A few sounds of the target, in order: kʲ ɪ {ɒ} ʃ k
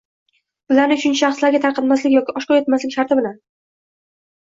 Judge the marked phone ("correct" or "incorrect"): correct